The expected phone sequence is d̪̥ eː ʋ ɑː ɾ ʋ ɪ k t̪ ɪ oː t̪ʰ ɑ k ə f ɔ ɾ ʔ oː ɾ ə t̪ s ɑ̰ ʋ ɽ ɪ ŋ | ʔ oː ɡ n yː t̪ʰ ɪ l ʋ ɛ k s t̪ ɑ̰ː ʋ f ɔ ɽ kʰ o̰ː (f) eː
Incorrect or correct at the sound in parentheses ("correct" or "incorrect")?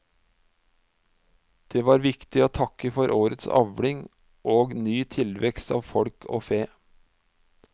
correct